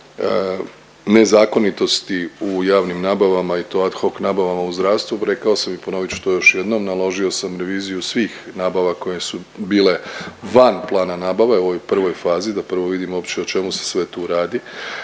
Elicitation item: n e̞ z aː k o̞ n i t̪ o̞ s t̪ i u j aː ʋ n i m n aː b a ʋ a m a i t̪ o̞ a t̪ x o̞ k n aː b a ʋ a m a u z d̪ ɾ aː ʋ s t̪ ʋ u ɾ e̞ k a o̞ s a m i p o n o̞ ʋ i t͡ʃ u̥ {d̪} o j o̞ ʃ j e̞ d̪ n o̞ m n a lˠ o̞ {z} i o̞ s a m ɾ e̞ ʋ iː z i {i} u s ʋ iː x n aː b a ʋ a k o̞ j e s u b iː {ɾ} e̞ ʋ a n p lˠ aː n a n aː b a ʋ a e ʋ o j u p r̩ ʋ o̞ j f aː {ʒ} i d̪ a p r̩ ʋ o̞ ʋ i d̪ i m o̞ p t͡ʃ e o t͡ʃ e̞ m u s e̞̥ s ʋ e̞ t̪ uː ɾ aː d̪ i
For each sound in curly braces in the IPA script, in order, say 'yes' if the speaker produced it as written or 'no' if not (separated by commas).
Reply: no, no, no, no, no